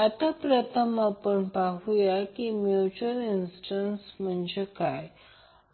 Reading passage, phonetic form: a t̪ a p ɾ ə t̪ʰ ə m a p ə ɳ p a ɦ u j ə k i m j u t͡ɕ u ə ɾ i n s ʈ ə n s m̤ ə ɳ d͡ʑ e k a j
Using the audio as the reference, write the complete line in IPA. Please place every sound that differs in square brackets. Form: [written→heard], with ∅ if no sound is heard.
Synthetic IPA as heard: a t̪ a p ɾ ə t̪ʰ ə m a p ə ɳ p a ɦ u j [ə→a] k i m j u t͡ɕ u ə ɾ i n s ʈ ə n s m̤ ə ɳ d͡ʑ e k a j